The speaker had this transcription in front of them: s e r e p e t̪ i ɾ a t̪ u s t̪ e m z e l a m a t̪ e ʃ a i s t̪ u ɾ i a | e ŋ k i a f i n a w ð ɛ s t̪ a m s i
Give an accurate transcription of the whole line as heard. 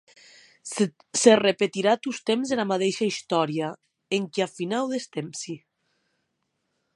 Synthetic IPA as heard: s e r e p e t̪ i ɾ a t̪ u s t̪ e m z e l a m a t̪ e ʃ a i s t̪ ɔ ɾ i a | e ŋ k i a f i n a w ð e s t̪ e m s i